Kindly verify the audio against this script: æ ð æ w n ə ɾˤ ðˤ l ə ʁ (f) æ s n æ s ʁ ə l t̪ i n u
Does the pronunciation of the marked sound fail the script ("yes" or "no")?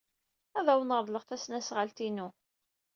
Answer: yes